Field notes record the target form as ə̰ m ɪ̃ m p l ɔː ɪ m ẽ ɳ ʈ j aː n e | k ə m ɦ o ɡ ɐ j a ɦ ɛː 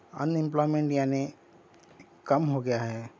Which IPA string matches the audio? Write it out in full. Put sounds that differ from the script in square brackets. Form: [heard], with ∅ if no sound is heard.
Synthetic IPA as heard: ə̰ [n] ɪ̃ m p l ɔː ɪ m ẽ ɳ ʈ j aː n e | k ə m ɦ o ɡ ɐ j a ɦ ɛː